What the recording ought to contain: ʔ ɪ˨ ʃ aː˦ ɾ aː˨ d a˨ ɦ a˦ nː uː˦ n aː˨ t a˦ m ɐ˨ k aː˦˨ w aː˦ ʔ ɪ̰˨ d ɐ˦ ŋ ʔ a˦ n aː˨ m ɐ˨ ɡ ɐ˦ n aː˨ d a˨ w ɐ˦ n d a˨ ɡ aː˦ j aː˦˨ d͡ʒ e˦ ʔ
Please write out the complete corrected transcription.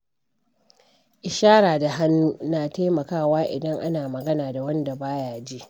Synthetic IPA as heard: ʔ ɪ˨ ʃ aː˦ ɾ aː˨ d a˨ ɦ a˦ nː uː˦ n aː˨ t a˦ m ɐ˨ k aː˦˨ w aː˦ ʔ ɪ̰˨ d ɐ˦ ŋ ʔ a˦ n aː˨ m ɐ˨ ɡ ɐ˦ n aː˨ d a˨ w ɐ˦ n d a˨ b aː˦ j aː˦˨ d͡ʒ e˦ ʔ